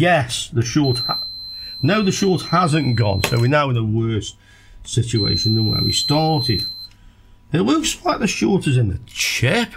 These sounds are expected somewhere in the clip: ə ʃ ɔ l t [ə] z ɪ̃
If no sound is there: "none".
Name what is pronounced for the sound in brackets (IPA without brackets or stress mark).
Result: ə